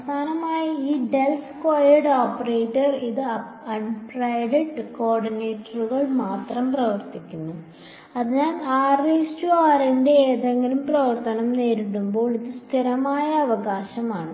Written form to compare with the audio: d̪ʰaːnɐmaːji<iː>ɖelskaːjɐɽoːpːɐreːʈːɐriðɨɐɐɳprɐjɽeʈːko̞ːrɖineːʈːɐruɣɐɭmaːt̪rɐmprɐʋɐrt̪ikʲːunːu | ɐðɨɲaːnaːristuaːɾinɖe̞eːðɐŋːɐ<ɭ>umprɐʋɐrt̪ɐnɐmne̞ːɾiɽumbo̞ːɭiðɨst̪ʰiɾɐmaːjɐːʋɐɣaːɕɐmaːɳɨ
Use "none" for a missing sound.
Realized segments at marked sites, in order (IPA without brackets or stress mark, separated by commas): iː, l